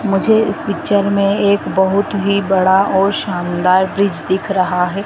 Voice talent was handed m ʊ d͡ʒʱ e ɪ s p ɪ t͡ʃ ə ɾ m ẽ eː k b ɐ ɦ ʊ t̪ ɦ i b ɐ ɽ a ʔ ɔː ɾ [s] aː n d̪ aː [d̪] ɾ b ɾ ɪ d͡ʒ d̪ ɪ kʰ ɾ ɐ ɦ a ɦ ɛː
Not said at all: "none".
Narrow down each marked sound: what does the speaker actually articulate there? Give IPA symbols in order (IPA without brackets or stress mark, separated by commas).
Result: ʃ, none